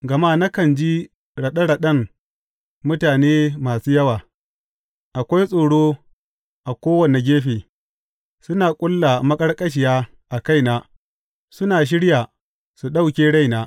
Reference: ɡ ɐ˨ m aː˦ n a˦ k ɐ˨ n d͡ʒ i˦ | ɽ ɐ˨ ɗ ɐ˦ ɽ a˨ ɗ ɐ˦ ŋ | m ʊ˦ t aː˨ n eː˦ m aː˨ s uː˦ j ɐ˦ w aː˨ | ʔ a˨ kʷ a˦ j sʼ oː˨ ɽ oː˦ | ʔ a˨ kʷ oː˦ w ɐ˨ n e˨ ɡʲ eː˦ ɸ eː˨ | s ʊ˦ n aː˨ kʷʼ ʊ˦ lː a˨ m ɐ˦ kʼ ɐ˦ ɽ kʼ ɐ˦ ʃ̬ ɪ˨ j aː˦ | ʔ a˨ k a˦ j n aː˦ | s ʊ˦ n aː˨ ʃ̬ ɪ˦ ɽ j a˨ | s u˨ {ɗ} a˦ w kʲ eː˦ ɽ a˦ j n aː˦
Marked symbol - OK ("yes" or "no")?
yes